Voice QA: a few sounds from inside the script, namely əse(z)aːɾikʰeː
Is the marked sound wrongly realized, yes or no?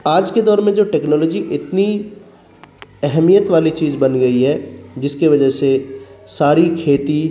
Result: yes